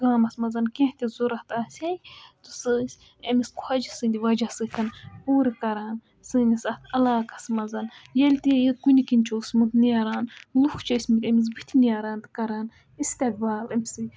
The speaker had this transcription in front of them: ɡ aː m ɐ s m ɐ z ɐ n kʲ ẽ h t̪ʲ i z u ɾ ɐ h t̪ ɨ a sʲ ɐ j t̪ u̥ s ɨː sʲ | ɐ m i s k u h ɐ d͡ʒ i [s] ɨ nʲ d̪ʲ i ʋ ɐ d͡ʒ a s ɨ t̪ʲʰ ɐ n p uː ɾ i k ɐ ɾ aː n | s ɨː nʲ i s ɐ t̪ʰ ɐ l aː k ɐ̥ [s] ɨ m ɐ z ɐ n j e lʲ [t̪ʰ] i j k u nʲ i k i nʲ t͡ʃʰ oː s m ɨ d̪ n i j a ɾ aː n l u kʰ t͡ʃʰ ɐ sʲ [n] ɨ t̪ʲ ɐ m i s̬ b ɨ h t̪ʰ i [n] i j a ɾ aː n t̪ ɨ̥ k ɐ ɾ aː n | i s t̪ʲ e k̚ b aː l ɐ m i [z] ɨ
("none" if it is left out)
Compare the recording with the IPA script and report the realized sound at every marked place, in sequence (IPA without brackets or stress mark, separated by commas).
s, s, t̪, m, n, s